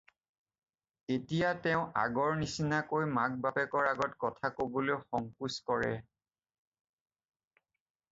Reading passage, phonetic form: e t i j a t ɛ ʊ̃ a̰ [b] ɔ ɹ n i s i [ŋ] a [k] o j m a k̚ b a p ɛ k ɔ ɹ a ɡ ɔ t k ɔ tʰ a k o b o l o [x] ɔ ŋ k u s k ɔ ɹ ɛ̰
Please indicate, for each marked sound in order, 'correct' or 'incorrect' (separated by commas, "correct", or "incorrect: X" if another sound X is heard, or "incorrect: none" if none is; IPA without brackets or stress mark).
incorrect: ɡ, incorrect: n, correct, correct